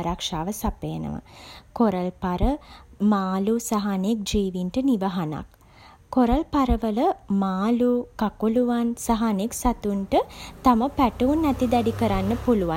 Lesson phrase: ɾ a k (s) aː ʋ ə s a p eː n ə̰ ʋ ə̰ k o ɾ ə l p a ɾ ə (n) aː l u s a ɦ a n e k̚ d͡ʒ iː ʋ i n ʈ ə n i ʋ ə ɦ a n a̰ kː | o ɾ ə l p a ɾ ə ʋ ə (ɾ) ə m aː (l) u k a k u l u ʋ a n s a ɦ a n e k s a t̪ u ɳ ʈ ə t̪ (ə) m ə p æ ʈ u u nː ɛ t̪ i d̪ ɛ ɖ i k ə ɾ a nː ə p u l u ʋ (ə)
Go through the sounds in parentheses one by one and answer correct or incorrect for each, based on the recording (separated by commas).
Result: incorrect, incorrect, incorrect, correct, incorrect, incorrect